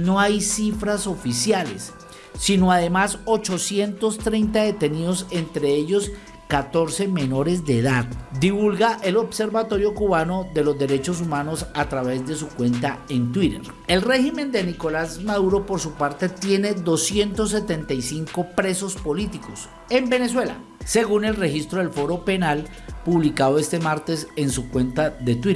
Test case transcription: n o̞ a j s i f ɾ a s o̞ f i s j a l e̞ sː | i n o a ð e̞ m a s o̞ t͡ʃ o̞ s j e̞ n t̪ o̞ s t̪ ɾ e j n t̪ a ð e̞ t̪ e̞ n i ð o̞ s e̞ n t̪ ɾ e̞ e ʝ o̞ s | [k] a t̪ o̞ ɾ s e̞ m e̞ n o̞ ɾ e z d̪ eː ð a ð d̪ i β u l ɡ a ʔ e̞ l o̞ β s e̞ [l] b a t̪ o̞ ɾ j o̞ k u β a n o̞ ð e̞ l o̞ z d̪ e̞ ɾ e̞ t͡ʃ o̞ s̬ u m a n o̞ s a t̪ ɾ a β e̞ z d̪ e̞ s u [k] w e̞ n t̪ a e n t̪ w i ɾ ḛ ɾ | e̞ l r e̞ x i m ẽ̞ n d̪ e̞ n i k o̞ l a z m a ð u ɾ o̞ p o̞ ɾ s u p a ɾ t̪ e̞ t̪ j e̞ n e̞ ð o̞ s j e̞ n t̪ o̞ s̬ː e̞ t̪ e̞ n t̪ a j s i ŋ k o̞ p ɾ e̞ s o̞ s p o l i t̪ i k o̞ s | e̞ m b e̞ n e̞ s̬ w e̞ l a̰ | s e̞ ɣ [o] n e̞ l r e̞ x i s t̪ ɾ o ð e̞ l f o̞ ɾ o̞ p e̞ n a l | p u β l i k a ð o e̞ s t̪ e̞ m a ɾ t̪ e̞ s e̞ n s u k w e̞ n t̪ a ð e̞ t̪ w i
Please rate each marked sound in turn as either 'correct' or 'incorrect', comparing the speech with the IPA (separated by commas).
correct, incorrect, correct, incorrect